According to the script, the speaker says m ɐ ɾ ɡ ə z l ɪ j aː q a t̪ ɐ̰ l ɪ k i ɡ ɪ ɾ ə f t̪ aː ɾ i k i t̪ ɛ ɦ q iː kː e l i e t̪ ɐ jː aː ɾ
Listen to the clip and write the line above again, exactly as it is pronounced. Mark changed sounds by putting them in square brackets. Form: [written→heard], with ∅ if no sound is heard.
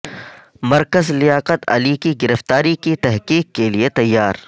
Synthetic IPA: m ɐ ɾ [ɡ→k] ə z l ɪ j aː q [a→ə] t̪ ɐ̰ l [ɪ→i] k i ɡ ɪ ɾ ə f t̪ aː ɾ i k i t̪ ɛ ɦ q iː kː e l i e t̪ ɐ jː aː ɾ